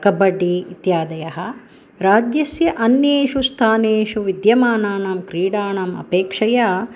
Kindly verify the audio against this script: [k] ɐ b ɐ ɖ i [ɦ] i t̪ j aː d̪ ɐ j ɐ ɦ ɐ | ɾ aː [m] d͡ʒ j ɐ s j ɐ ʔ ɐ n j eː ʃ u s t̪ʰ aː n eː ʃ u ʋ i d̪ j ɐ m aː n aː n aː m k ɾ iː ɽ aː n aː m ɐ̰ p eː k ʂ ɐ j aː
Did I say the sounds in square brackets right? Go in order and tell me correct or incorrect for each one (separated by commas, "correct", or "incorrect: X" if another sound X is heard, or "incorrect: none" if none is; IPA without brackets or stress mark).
correct, incorrect: none, incorrect: none